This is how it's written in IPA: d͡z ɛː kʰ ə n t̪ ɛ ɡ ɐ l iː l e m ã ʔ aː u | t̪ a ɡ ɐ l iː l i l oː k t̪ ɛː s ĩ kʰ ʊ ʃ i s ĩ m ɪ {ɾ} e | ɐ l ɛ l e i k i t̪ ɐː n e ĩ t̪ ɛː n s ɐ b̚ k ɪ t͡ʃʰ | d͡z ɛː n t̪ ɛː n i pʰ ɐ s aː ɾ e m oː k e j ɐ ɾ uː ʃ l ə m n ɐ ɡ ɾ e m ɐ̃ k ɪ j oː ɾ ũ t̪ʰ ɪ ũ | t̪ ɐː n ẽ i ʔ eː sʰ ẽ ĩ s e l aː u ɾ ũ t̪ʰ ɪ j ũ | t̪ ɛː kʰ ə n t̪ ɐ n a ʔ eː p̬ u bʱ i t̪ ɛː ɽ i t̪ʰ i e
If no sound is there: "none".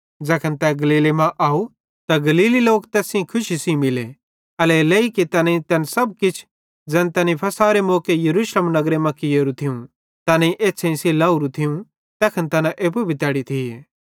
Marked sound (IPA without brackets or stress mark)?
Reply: l